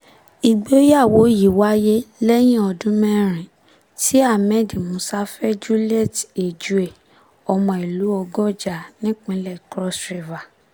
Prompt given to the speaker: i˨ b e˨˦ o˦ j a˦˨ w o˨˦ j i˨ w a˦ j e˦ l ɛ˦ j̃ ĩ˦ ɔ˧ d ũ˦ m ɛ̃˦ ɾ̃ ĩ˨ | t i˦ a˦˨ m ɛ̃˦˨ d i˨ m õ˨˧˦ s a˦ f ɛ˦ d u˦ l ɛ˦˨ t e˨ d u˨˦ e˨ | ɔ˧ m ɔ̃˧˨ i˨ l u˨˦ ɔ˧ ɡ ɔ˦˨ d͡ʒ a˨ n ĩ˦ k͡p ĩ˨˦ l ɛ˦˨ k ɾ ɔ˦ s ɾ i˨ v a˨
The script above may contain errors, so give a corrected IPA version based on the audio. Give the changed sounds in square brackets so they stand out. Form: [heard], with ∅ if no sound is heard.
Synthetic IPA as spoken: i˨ [ɡ͡b] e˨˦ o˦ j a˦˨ w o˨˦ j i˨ w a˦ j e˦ l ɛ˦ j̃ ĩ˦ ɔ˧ d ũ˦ m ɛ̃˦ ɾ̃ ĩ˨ | t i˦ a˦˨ m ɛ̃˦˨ d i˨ m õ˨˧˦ s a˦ f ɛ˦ [d͡ʒ] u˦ l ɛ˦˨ t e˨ [d͡ʒ] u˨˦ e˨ | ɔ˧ m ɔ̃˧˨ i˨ l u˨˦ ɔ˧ ɡ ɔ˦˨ d͡ʒ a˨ n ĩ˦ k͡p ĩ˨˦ l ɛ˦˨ k ɾ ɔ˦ s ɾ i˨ v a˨